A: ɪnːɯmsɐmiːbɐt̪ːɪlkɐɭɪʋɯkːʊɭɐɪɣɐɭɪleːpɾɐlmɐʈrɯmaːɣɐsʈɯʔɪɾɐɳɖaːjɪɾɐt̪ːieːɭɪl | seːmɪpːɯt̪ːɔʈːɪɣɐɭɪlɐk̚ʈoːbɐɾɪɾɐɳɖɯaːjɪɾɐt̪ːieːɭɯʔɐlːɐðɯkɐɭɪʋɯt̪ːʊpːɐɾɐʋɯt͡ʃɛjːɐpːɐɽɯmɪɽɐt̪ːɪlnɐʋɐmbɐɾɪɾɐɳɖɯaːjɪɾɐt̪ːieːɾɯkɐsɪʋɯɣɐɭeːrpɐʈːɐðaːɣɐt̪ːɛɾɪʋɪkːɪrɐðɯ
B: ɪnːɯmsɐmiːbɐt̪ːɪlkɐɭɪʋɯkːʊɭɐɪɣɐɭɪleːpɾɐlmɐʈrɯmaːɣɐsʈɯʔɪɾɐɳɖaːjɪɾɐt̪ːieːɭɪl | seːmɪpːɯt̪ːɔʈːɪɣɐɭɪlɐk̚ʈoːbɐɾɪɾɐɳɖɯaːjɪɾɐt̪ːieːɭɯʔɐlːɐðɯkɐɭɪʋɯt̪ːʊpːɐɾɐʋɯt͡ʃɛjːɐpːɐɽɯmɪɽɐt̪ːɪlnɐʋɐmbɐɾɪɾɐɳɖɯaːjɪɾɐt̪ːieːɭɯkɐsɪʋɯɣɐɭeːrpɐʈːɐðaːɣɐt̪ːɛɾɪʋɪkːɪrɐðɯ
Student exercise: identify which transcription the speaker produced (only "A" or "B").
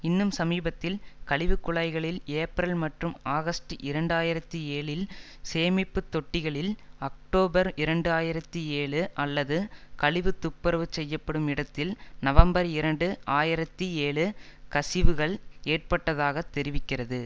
B